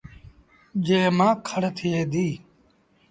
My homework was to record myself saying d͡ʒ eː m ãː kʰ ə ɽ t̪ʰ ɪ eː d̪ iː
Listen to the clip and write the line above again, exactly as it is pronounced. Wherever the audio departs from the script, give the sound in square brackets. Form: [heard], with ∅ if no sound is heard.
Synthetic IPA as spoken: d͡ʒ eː m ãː kʰ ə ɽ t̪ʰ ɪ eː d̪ iː